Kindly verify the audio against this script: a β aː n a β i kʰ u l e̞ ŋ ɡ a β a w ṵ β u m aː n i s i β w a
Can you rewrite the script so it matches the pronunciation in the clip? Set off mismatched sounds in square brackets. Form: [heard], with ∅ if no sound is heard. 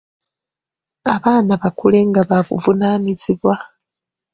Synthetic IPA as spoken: a β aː n a β [a] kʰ u l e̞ ŋ ɡ a β a [β] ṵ [v] u [n] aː n i [z] i β w a

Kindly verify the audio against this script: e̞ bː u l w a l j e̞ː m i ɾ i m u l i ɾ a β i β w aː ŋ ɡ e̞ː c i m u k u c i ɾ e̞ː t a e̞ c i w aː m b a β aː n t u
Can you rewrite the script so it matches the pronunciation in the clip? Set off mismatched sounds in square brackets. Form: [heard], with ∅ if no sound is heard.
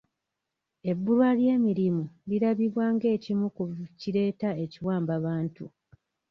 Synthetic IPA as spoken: e̞ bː u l w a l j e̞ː m i ɾ i m u l i ɾ a β i β w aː ŋ ɡ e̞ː c i m u k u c i ɾ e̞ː t a e̞ c i w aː m b a β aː n t u

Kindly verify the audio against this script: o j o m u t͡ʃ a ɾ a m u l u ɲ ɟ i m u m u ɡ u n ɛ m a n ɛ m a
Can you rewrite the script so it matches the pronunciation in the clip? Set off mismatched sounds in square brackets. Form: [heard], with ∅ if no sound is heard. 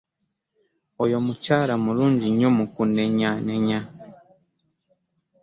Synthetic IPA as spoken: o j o m u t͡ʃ a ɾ a m u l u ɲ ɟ i [ɲ] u m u [k] u n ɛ [ɲ] a n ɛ [ɲ] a

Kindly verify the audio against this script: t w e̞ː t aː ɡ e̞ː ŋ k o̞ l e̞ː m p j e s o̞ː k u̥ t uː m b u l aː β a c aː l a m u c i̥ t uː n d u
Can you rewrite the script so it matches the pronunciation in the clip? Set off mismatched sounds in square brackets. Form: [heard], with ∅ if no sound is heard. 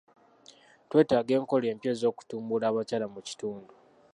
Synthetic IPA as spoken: t w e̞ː t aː ɡ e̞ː ŋ k o̞ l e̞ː m p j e [z] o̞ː k u̥ t uː m b u l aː β a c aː l a m u c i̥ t uː n d u

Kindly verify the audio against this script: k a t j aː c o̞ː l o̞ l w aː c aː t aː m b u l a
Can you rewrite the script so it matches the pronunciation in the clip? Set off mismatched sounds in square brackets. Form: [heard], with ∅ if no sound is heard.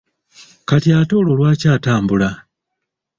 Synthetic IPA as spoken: k a t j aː [t] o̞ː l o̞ l w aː c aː t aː m b u l a

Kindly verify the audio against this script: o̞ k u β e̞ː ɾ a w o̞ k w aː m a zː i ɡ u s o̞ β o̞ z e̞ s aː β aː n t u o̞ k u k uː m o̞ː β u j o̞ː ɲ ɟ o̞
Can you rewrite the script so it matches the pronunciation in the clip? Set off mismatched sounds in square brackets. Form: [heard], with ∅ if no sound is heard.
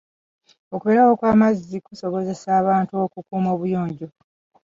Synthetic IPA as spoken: o̞ k u β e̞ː ɾ a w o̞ k w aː m a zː i [k] u s o̞ β o̞ z e̞ s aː β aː n t u o̞ k u k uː m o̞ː β u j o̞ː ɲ ɟ o̞

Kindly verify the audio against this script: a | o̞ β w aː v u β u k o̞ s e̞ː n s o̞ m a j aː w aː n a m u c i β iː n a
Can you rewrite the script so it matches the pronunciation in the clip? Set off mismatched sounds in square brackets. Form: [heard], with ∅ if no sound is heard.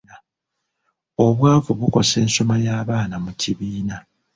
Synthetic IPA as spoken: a | o̞ β w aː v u β u k o̞ s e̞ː n s o̞ m a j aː [β] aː n a m u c i β iː n a

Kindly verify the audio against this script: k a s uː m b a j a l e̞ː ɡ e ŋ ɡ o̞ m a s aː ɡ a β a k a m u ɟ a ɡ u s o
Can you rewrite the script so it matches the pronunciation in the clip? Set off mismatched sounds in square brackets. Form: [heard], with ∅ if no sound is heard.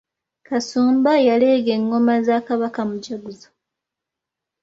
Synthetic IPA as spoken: k a s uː m b a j a l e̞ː ɡ e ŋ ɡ o̞ m a [z] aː [k] a β a k a m u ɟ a ɡ u [z] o

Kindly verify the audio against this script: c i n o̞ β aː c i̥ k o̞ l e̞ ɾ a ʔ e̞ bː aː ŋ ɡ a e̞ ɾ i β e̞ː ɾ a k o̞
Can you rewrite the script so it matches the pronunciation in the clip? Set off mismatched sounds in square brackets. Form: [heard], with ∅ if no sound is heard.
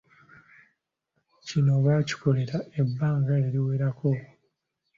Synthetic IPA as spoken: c i n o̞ β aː c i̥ k o̞ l e̞ ɾ a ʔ e̞ bː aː ŋ ɡ a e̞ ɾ i [w] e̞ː ɾ a k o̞

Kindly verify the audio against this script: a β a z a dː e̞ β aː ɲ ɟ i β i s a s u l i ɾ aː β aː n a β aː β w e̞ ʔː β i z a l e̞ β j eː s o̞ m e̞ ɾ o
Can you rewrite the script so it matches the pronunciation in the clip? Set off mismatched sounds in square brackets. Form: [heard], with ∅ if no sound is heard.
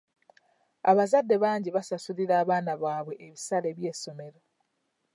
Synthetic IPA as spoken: a β a z a dː e̞ β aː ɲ ɟ i β [a] s a s u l i ɾ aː β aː n a β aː β w e̞ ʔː β i [s] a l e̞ β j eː s o̞ m e̞ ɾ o

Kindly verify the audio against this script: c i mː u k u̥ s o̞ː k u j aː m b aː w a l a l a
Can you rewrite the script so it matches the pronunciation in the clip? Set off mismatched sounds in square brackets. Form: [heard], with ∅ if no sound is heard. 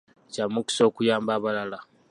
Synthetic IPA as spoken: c [a] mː u k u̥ s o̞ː k u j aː m b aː [β] a l a l a

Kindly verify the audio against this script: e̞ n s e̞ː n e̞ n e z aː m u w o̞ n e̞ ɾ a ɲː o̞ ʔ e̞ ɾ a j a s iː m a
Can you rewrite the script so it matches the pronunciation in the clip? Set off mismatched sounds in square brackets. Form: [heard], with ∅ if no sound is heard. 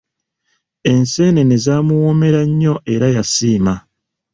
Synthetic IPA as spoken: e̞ n s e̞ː n e̞ n e z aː m u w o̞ [m] e̞ ɾ a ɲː o̞ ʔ e̞ ɾ a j a s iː m a

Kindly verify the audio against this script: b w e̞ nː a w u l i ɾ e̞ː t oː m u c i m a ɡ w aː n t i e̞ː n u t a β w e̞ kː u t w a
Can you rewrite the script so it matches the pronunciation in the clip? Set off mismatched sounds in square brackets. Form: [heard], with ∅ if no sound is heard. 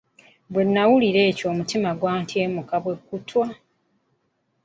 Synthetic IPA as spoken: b w e̞ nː a w u l i ɾ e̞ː [c] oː m u [t] i m a ɡ w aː n t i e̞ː [m] u [k] a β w e̞ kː u t w a

